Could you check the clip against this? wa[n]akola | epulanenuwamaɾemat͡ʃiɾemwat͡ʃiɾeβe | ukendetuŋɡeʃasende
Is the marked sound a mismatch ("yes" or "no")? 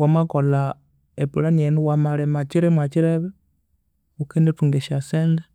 yes